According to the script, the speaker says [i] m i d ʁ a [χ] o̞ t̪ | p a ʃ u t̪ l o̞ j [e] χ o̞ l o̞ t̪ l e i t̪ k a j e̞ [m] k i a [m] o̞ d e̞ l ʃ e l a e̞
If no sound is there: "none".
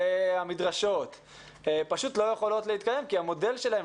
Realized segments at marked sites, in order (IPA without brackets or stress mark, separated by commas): a, ʃ, e, m, m